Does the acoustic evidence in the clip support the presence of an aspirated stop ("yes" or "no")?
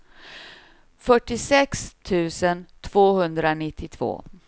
yes